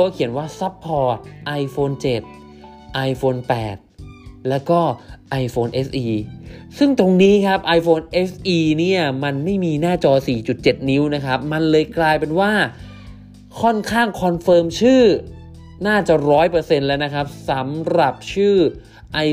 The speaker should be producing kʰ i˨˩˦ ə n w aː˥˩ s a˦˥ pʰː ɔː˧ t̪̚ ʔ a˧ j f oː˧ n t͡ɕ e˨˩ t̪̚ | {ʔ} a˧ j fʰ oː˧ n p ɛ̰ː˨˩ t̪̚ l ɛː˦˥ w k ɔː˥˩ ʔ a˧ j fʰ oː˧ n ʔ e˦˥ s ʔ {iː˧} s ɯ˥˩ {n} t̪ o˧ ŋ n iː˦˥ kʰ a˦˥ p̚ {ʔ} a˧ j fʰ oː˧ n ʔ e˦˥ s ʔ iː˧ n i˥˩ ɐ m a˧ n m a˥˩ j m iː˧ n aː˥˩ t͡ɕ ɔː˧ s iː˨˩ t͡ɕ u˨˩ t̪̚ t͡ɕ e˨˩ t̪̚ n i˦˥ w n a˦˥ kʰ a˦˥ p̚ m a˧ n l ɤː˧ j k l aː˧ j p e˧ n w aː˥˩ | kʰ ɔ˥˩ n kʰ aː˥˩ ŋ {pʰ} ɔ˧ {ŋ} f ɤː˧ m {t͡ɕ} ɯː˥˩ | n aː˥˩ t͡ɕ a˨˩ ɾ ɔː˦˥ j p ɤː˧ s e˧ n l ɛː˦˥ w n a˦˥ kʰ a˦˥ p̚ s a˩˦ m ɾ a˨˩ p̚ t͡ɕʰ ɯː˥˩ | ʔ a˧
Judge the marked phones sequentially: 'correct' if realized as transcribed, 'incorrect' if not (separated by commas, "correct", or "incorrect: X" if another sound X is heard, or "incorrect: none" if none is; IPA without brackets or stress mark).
correct, correct, incorrect: ŋ, correct, incorrect: kʰ, incorrect: n, incorrect: t͡ɕʰ